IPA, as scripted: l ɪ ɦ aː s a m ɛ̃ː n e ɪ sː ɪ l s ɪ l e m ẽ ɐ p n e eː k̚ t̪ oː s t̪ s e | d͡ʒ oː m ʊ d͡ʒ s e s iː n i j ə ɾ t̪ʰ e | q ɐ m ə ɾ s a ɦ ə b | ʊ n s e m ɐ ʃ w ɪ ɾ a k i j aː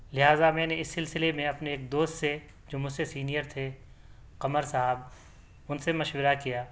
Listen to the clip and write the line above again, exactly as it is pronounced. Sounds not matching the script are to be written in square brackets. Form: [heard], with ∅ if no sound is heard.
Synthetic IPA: l ɪ ɦ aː [z] a m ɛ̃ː n e ɪ sː ɪ l s ɪ l e m ẽ ɐ p n e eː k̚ [d̪] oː s t̪ s e | d͡ʒ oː m ʊ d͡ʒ s e s iː n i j ə ɾ t̪ʰ e | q ɐ m ə ɾ s a ɦ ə b | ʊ n s e m ɐ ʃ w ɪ ɾ a k i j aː